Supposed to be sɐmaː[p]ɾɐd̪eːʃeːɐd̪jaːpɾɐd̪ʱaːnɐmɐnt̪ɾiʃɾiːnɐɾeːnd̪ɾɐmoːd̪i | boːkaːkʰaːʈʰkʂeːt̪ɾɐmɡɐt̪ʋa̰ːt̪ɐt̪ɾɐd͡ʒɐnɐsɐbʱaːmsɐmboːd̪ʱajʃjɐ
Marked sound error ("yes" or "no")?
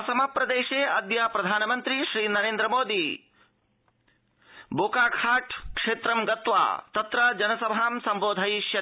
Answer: no